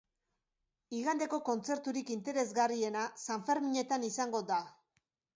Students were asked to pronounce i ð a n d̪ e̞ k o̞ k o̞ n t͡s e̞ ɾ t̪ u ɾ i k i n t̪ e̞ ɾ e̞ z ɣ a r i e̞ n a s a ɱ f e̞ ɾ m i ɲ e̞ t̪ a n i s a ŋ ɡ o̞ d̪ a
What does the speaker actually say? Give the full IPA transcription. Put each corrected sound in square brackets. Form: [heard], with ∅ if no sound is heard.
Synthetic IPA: i [ɣ] a n d̪ e̞ k o̞ k o̞ n t͡s e̞ ɾ t̪ u ɾ i k i n t̪ e̞ ɾ e̞ z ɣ a r i e̞ n a s a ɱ f e̞ ɾ m i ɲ e̞ t̪ a n i s a ŋ ɡ o̞ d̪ a